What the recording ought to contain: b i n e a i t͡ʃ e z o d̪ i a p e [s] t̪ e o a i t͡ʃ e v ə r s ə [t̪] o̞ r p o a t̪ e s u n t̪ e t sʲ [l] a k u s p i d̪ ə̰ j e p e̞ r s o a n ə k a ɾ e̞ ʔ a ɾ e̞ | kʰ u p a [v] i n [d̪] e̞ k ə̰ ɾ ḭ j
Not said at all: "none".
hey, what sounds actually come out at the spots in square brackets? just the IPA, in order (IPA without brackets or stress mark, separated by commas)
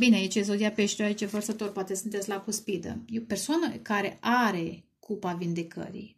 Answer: ʃ, t̪, l, v, d̪